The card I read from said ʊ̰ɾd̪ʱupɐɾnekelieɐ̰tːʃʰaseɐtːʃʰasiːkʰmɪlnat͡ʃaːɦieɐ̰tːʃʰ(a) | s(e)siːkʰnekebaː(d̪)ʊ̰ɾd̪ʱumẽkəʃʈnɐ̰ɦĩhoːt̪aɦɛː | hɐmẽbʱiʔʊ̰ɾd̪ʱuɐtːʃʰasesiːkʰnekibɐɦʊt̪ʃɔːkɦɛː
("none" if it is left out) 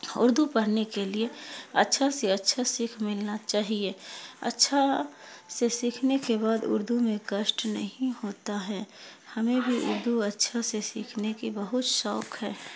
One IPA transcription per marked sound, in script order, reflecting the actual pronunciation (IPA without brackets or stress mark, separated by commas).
a, e, d̪